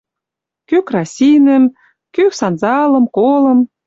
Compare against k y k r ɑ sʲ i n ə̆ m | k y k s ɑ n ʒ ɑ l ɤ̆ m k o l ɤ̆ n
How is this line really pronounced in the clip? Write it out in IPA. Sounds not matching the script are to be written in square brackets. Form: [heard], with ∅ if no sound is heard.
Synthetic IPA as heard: k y k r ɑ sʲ i n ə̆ m | k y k s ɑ n [z] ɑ l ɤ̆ m k o l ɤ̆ [m]